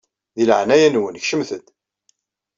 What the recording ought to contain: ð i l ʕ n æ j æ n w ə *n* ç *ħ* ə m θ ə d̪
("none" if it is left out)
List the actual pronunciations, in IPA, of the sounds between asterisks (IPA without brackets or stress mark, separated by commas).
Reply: n, ʃ